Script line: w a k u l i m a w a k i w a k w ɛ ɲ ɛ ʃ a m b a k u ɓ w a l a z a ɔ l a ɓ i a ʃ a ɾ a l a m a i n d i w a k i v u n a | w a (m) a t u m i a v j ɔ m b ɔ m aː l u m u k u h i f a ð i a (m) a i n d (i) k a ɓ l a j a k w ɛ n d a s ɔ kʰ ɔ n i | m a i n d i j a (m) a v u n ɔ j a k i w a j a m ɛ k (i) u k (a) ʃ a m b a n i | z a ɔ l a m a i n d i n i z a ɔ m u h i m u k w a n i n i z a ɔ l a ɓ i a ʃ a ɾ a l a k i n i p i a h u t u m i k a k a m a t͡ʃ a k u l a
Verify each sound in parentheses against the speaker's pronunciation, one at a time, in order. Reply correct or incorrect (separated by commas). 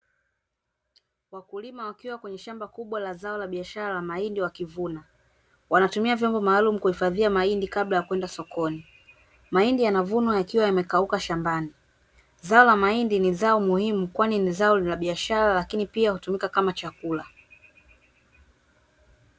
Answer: incorrect, correct, correct, incorrect, incorrect, correct